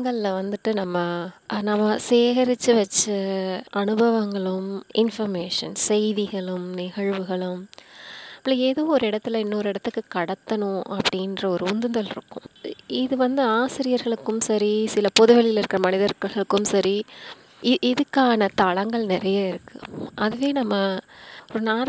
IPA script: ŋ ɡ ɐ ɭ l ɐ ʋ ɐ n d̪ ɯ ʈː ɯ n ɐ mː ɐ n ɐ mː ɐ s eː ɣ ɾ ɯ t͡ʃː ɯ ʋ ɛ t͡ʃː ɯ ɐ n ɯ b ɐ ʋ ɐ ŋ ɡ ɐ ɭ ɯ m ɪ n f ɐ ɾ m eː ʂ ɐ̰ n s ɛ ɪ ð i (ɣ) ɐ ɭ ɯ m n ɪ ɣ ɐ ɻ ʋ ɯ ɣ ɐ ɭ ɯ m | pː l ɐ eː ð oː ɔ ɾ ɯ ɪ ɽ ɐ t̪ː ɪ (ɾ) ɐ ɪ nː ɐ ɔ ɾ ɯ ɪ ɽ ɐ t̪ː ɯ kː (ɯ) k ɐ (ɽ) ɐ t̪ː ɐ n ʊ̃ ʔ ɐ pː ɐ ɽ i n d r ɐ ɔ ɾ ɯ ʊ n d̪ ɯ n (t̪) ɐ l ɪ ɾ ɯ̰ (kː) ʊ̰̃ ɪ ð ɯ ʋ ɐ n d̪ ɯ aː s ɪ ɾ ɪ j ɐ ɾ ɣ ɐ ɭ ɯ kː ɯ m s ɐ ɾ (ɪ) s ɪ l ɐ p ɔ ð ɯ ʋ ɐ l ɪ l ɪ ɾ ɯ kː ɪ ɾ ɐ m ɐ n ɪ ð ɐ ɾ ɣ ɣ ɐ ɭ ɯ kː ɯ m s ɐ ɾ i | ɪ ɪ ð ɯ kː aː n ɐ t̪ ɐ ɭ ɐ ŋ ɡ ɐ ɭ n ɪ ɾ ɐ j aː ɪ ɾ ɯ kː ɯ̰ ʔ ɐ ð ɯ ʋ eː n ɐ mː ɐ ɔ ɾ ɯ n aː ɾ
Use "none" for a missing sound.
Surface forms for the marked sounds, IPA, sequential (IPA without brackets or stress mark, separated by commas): ɣ, l, ɯ, ɽ, d̪, kː, i